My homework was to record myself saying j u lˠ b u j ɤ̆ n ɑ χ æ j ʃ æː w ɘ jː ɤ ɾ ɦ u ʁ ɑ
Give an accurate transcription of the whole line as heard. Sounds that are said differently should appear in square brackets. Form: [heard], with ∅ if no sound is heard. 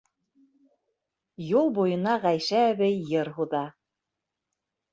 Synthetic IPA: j u lˠ b u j ɤ̆ n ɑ [ʁ] æ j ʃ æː [β] ɘ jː ɤ ɾ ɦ u [ð] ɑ